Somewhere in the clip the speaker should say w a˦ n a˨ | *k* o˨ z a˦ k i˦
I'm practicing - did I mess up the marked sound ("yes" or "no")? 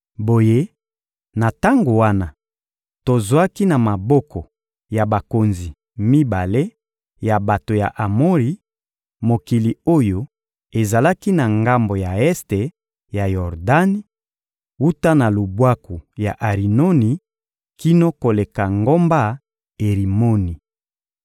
yes